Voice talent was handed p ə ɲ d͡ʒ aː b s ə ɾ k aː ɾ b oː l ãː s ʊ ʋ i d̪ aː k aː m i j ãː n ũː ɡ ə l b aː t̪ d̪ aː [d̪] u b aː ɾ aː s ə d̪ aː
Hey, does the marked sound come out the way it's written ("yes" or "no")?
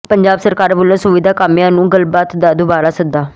yes